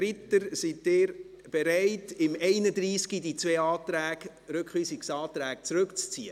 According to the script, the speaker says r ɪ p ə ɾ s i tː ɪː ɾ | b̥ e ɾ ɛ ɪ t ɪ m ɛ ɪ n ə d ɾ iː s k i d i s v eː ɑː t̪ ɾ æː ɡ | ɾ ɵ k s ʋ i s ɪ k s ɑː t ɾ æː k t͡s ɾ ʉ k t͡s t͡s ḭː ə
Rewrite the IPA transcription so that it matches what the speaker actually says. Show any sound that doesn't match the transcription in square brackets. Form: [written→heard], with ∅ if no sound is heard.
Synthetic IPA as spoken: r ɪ [p→t] ə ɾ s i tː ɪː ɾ | b̥ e ɾ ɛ ɪ t ɪ m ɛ ɪ n ə d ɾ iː s k i d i [s→t͡s] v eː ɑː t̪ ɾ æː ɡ | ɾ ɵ k [s→χ] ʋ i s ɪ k s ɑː t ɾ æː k t͡s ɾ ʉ k t͡s t͡s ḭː ə

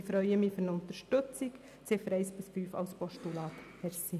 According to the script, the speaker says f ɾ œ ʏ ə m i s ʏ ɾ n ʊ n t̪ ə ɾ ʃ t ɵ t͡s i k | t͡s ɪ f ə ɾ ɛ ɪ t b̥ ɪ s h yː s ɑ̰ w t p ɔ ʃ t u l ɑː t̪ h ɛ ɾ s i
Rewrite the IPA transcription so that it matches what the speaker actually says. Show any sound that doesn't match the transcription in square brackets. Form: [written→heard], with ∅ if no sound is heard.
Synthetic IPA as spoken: f ɾ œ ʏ ə m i [s→f] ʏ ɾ n ʊ n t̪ ə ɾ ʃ t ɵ t͡s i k | t͡s ɪ f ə ɾ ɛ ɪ [t→s] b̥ ɪ s [h→f] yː [s→f] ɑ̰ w [t→s] p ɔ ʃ t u l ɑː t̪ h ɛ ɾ s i

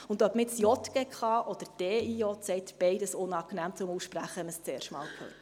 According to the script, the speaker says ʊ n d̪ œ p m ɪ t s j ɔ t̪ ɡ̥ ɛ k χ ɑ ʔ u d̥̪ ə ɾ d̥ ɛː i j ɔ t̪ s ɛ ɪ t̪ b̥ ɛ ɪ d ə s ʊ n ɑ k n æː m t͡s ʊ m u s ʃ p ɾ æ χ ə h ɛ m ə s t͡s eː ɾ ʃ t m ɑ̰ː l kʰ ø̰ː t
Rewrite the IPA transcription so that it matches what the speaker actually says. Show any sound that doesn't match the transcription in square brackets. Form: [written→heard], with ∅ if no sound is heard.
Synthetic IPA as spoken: ʊ n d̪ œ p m ɪ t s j ɔ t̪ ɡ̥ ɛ k χ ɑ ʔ [u→ɔ] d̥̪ ə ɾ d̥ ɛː i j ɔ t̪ s ɛ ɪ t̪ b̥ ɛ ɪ d ə s ʊ n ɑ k n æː m t͡s ʊ m u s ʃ p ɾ æ χ ə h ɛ m ə s t͡s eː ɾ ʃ t m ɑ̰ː l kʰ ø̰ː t

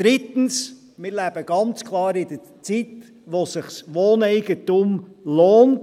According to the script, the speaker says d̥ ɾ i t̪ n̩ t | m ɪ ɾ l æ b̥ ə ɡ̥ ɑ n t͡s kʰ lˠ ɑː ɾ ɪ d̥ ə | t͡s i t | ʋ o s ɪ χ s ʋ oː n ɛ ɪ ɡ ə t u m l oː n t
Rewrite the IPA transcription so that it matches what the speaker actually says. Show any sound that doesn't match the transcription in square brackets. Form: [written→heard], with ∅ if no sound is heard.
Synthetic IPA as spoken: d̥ ɾ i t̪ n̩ [t→s] | m ɪ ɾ l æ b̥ ə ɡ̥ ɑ n t͡s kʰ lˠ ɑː ɾ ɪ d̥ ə | t͡s i t | ʋ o s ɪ χ s ʋ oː n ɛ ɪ ɡ ə t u m l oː n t

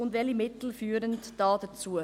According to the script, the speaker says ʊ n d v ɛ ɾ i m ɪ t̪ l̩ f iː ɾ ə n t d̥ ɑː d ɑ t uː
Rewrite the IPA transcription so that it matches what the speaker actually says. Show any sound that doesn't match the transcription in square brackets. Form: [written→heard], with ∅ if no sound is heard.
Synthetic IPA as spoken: ʊ n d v ɛ [ɾ→l] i m ɪ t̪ l̩ f [iː→yː] ɾ ə n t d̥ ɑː d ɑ [t→t͡s] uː

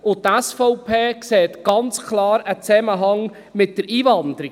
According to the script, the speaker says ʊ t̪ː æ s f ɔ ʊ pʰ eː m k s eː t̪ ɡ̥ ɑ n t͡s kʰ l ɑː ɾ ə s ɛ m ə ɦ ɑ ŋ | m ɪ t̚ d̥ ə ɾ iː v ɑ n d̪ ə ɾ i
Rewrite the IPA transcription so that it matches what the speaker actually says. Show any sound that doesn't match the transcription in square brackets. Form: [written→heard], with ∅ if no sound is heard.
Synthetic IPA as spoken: ʊ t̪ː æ s f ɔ ʊ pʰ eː [m→∅] k s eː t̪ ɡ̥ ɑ n t͡s kʰ l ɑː ɾ ə [s→t͡s] ɛ m ə ɦ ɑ ŋ | m ɪ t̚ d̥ ə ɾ iː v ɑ n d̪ ə ɾ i

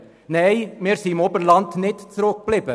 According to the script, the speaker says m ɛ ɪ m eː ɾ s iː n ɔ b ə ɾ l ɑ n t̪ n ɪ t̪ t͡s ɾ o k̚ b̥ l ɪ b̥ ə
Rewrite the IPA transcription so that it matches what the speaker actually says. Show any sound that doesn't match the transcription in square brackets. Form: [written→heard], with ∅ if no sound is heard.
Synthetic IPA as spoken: [m→n] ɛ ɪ m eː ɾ s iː [n→m] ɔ b ə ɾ l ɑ n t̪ n ɪ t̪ t͡s ɾ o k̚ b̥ l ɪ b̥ ə

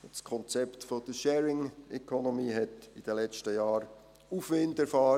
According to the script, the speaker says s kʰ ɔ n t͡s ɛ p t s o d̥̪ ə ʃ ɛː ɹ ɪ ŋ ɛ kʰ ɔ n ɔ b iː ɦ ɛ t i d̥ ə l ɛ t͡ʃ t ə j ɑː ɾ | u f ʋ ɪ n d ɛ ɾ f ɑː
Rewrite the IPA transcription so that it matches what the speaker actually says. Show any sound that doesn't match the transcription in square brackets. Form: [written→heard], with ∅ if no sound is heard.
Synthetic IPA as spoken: s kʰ ɔ n t͡s ɛ p t [s→f] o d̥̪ ə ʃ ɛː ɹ ɪ ŋ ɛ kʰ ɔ n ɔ [b→m] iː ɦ ɛ t i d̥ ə l ɛ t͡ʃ t ə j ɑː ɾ | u f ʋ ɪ n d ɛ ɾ f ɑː

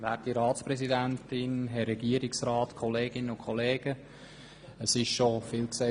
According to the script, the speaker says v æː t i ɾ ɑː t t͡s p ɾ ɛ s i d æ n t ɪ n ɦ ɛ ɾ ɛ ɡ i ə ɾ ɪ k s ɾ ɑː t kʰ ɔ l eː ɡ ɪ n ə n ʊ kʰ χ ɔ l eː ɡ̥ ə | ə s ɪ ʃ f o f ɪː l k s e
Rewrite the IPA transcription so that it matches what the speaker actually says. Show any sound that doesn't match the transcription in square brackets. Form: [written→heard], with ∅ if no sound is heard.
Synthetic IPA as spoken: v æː t i ɾ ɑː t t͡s p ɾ ɛ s i d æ n t ɪ n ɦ ɛ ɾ ɛ ɡ i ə ɾ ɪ k s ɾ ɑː t kʰ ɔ l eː ɡ ɪ n ə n ʊ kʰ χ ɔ l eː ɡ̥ ə | ə s ɪ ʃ [f→ʃ] o f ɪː l k s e

